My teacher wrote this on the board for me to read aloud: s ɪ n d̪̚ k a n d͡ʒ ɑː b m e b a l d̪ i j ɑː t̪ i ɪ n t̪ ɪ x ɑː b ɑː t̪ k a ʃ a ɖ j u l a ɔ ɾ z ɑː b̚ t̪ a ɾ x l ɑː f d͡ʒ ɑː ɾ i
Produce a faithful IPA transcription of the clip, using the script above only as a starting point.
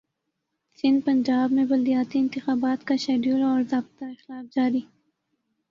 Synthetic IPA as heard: s ɪ n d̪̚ p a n d͡ʒ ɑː b m e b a l d̪ i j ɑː t̪ i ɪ n t̪ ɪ x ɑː b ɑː t̪ k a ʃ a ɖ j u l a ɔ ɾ z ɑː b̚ t̪ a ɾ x l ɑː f d͡ʒ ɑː ɾ i